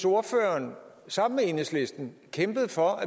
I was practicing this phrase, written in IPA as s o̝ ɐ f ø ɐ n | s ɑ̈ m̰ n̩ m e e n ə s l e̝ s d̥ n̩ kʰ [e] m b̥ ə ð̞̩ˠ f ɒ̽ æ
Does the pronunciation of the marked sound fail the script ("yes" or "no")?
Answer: no